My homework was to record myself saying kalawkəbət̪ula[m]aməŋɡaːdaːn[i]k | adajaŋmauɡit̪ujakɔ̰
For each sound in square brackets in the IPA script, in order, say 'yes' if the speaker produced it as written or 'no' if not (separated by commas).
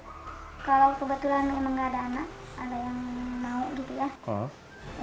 no, no